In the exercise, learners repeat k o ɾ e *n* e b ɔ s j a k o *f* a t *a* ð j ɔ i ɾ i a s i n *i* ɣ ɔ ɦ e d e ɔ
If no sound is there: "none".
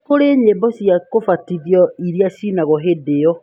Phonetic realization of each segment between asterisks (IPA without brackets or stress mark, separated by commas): ɲ, f, i, a